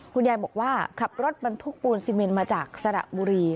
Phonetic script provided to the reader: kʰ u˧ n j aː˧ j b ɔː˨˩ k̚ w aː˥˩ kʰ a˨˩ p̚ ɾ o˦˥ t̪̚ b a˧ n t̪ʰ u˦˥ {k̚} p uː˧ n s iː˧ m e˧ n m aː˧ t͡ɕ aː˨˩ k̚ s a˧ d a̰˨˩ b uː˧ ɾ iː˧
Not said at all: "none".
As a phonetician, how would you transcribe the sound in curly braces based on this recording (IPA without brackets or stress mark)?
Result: k̚